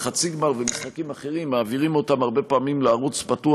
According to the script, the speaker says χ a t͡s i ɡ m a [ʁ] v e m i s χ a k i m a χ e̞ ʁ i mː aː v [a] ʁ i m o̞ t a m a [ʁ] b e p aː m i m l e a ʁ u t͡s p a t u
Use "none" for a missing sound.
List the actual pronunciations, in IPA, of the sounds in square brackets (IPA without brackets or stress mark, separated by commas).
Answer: ʁ, i, ʁ